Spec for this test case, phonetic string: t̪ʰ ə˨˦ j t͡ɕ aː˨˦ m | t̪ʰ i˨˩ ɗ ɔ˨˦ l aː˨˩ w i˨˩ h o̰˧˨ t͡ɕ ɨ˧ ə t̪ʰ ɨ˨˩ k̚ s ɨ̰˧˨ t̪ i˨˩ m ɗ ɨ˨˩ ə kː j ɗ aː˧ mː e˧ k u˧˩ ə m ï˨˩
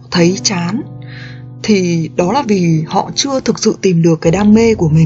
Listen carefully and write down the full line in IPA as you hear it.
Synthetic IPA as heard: t̪ʰ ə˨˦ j t͡ɕ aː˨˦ n | t̪ʰ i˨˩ ɗ ɔ˨˦ l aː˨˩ v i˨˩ h ɔ̰˧˨ t͡ɕ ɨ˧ ə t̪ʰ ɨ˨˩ k̚ s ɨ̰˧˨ t̪ i˨˩ m ɗ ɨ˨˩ ə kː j ɗ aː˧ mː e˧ k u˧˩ ə m ï˨˩